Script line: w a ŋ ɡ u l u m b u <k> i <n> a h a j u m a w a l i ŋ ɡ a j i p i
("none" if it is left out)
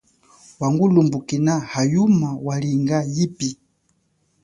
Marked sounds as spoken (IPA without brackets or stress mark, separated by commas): k, n